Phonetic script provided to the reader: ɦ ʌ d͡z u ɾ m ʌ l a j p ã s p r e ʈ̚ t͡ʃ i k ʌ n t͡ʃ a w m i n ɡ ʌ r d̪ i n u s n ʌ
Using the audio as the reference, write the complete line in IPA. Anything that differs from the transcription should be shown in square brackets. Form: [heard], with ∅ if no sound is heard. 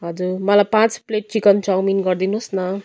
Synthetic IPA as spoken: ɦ ʌ d͡z u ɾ m ʌ l a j p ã [t͡s] p [l] e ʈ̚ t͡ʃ i k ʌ n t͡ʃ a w m i n ɡ ʌ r d̪ i n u s n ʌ